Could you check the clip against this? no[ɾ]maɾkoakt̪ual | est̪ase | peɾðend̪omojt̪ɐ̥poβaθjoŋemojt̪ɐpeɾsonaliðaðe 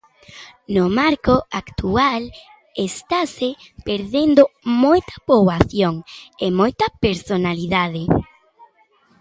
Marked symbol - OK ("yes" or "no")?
no